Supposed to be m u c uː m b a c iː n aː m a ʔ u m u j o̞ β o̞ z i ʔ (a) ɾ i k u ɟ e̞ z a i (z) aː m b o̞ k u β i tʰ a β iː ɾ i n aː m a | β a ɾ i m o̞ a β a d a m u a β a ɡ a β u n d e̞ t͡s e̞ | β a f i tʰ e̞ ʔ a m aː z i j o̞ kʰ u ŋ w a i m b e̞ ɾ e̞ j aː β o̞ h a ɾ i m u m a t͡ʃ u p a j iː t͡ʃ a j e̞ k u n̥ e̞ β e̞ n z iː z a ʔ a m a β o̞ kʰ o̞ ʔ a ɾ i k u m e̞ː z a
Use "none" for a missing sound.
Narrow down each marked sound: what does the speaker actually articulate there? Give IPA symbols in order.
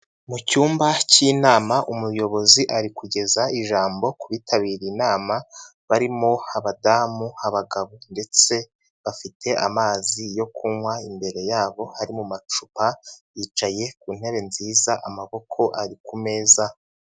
a, ʒ

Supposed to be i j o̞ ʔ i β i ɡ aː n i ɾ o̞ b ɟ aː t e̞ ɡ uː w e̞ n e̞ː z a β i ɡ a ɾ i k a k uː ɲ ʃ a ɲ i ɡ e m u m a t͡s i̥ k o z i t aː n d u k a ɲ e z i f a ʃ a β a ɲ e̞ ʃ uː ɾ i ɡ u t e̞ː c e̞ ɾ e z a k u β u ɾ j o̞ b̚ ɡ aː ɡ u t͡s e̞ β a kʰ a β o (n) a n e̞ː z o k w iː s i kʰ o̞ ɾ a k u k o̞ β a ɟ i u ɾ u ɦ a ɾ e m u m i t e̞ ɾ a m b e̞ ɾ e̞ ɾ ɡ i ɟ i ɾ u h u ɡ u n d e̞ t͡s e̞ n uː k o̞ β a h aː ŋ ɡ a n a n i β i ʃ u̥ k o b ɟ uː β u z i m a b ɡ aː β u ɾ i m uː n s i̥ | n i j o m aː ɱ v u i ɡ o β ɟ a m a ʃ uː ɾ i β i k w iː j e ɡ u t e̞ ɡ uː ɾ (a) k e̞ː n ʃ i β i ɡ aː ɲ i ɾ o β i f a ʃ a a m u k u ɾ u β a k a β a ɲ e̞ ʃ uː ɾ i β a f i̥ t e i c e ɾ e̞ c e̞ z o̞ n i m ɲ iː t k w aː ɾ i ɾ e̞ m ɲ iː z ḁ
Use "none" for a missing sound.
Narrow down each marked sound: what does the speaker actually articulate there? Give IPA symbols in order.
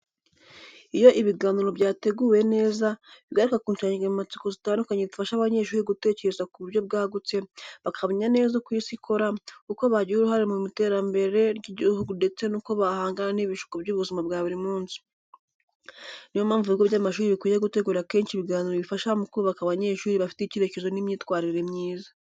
ɲ, a

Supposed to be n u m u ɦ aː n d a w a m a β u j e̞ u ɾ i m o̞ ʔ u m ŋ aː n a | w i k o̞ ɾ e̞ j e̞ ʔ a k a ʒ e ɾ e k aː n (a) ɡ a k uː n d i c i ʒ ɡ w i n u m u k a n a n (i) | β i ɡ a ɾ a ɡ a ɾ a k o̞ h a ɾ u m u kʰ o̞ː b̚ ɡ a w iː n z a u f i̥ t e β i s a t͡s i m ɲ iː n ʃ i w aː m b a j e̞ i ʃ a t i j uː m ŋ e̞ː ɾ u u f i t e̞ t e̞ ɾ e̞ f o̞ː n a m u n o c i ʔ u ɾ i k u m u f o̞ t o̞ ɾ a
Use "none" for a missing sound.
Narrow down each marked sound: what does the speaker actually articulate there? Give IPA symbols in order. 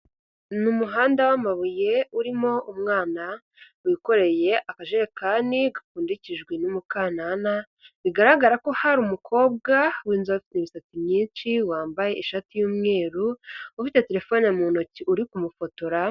i, a

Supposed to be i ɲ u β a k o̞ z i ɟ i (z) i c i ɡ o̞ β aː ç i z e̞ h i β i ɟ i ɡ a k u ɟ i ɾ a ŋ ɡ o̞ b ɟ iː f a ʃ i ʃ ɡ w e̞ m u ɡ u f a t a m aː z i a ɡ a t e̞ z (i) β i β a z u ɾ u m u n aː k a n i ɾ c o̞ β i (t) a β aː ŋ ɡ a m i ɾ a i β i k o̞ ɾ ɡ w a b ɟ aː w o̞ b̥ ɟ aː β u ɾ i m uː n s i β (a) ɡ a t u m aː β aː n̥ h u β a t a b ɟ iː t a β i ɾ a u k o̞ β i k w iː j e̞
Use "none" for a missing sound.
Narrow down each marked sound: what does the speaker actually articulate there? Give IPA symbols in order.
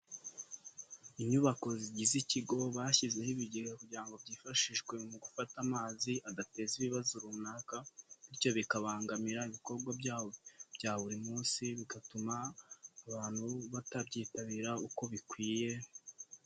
z, i, k, i

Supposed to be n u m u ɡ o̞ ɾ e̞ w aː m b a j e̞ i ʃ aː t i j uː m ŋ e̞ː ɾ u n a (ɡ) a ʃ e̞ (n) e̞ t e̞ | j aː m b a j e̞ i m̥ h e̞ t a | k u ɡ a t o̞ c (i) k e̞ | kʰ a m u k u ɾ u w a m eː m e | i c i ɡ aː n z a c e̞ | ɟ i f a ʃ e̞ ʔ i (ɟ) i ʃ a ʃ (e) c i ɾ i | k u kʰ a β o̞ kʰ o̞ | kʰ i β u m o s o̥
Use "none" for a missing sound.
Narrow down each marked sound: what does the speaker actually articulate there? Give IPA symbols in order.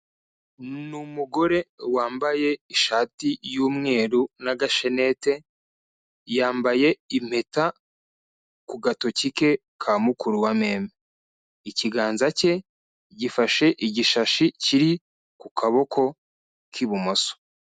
ɡ, n, i, ɟ, i

